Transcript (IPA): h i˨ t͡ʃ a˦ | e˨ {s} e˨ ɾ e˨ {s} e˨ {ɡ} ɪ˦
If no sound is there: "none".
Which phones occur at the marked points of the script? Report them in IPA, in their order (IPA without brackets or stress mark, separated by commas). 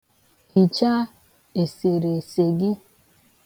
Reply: s, s, ɡ